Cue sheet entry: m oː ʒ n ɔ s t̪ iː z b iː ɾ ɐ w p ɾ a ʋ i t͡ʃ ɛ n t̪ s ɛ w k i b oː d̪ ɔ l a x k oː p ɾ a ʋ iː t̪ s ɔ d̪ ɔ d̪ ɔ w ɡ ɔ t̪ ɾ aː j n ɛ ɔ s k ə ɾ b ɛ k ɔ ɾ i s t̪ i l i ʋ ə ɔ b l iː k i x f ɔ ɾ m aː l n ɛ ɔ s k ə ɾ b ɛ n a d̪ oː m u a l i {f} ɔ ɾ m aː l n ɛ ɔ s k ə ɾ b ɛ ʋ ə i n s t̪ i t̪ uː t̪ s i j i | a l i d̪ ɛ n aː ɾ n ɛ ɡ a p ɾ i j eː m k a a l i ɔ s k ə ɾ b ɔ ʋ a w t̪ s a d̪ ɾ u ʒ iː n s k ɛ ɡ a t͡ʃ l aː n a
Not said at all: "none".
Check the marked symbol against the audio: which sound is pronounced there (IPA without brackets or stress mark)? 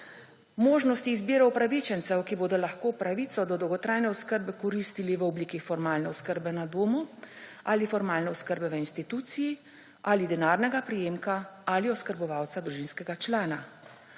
f